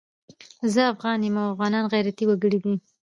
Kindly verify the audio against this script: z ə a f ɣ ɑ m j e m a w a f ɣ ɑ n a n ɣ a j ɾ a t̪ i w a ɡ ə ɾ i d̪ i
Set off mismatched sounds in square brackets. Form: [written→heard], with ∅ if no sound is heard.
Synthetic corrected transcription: z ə a f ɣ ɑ [m→n] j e m a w a f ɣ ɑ n [a→ɑ] n ɣ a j ɾ a t̪ i w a ɡ ə [ɾ→ɽ] i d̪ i